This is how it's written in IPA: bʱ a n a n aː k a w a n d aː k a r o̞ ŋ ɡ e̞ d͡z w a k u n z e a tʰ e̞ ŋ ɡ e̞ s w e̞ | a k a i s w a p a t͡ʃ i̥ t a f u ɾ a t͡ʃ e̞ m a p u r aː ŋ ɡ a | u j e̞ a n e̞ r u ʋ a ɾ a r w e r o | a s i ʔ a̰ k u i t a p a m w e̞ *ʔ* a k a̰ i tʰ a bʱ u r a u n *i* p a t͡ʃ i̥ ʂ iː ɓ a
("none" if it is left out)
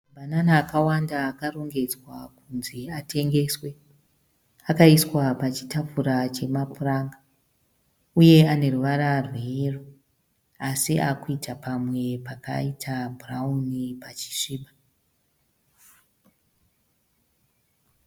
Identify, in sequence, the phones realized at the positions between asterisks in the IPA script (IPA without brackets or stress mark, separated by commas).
p, i